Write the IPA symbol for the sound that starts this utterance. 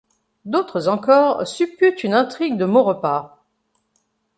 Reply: d̪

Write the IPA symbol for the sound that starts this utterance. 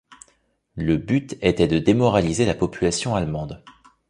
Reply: l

